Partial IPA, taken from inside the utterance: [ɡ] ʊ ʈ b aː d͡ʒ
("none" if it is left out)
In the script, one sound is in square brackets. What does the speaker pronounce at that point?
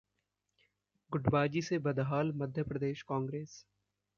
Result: ɡ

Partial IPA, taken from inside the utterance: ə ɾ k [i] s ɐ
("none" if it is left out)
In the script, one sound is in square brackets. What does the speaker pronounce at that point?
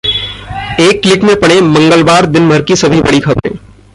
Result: i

